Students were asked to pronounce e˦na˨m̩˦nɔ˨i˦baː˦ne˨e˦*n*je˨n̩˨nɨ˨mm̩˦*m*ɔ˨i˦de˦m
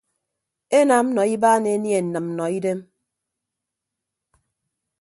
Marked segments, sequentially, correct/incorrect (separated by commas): correct, incorrect